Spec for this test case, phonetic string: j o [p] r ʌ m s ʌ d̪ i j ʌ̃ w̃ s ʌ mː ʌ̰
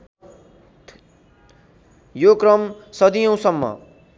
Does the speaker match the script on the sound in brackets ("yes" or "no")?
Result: no